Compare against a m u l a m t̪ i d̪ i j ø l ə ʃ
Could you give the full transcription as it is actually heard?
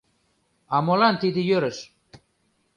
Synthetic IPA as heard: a m o l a n t̪ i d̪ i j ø ɾ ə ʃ